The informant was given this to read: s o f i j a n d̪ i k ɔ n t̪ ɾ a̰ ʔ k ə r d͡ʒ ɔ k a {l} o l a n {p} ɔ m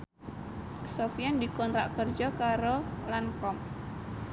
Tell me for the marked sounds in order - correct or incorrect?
incorrect, incorrect

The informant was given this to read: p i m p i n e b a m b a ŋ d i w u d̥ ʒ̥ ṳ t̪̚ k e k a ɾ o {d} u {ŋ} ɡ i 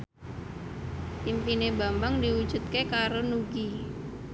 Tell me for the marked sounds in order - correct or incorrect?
incorrect, incorrect

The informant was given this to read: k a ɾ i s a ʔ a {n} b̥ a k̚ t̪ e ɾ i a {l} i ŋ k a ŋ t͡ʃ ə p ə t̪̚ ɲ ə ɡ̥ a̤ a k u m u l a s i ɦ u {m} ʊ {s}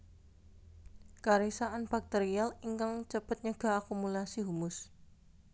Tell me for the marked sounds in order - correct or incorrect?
correct, correct, correct, correct

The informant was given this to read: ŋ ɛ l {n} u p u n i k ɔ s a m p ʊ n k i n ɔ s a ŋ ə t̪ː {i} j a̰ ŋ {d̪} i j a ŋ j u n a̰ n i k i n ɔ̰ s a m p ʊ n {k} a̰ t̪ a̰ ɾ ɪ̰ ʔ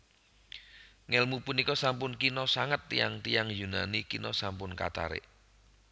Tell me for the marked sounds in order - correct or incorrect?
incorrect, correct, incorrect, correct

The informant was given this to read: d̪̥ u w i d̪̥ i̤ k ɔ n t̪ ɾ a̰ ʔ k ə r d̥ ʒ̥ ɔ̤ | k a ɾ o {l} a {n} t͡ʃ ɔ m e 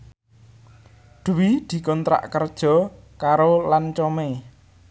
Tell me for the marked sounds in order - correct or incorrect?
correct, correct

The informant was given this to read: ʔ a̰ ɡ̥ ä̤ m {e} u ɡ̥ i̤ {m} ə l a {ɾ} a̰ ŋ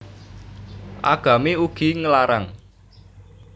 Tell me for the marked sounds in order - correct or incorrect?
correct, incorrect, correct

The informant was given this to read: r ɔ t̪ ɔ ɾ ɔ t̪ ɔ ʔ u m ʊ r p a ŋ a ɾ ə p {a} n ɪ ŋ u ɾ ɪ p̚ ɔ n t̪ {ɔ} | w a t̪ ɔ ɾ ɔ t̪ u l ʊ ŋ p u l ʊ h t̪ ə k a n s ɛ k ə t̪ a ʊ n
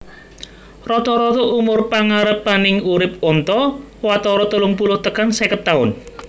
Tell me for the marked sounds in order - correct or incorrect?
correct, correct

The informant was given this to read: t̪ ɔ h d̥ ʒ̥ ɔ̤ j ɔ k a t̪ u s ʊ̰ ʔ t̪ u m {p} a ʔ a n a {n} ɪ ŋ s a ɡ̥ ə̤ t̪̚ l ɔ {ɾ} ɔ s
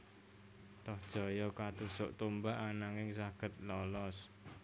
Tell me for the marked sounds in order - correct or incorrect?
incorrect, incorrect, incorrect

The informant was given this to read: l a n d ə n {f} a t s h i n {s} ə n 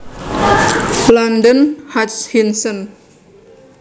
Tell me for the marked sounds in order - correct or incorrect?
incorrect, correct

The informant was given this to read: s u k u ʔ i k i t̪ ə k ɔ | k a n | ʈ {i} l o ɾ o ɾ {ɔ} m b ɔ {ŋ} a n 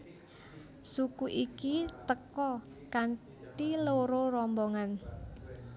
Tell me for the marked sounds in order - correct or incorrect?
correct, correct, correct

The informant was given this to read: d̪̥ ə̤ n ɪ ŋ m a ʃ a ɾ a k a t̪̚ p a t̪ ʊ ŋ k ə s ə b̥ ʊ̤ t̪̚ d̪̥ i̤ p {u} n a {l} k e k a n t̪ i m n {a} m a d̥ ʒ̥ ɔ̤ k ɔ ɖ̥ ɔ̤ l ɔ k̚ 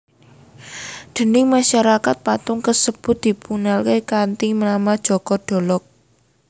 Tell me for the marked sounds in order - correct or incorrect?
correct, correct, correct

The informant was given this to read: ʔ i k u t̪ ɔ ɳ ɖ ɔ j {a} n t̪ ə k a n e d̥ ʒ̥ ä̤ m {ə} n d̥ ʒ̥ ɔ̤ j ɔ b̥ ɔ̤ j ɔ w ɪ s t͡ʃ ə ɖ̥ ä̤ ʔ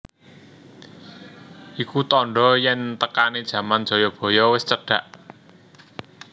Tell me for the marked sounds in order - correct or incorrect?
incorrect, incorrect

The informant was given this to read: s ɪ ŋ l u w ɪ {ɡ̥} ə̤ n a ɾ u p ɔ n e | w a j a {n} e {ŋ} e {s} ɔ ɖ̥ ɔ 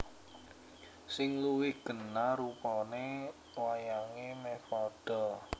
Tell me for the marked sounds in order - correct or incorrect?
correct, incorrect, incorrect, incorrect

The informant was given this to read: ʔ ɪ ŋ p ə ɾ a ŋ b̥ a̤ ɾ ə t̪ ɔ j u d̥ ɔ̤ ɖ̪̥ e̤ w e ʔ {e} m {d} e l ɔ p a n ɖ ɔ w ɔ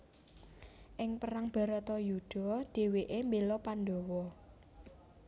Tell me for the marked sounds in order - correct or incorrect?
correct, incorrect

